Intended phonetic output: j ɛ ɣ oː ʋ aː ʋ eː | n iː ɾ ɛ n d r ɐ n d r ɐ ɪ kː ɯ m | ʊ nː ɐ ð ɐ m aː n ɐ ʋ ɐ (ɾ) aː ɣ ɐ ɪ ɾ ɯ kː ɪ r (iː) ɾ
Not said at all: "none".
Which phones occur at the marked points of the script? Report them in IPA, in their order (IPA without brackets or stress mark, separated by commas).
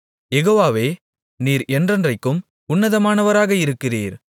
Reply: ɾ, iː